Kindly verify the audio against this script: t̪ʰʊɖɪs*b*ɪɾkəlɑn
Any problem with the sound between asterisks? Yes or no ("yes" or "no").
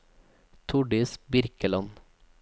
no